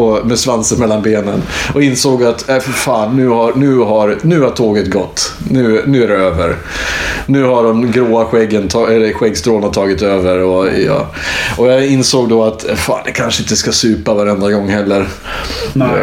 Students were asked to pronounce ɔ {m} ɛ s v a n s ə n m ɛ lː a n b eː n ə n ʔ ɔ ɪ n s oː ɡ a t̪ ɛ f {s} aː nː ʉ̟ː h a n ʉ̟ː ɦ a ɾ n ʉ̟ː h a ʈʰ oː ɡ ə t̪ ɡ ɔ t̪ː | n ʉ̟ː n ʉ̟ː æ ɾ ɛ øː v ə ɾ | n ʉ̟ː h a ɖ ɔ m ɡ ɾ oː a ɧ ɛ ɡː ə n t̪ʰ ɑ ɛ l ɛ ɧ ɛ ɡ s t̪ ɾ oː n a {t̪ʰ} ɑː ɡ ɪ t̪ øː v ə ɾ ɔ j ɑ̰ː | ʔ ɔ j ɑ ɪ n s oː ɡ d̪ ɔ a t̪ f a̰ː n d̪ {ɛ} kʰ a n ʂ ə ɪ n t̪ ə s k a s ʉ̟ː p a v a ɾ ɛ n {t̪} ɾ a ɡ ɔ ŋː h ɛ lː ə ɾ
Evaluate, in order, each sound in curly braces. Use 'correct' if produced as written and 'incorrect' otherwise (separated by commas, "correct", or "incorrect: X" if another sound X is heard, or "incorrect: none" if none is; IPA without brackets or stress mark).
correct, incorrect: f, correct, correct, incorrect: d̪